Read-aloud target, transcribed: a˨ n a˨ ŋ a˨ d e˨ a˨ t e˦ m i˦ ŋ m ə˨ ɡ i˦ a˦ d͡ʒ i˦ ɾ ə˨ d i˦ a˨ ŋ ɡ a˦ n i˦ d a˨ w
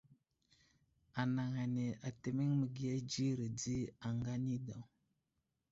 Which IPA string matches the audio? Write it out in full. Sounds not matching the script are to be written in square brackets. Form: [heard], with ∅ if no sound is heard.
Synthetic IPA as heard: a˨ n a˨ ŋ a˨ [n] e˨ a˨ t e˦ m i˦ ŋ m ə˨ ɡ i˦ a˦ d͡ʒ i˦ ɾ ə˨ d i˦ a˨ ŋ ɡ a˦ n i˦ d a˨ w